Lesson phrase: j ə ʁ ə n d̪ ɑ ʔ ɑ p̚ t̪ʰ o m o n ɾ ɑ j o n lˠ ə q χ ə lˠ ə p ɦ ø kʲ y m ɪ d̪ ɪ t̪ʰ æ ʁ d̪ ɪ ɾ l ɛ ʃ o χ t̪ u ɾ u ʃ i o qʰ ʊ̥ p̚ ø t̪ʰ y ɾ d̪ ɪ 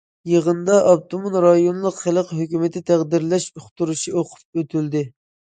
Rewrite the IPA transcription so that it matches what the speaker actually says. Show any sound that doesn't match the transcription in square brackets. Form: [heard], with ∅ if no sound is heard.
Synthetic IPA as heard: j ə ʁ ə n d̪ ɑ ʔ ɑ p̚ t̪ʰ o m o n ɾ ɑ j o n lˠ ə q χ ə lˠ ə [q] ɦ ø kʲ y m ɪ [t̪] ɪ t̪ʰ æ ʁ d̪ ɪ ɾ l ɛ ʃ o χ t̪ u ɾ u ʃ i o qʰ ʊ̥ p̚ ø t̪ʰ y [l] d̪ ɪ